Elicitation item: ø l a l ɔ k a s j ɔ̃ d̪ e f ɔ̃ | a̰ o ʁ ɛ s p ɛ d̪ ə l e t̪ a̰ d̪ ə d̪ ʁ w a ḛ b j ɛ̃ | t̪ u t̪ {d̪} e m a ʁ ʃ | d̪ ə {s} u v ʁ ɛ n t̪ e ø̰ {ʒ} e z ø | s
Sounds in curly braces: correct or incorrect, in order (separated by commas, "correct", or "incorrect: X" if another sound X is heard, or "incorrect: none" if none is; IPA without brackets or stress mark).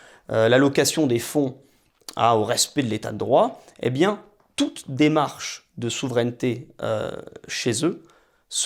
correct, correct, incorrect: ʃ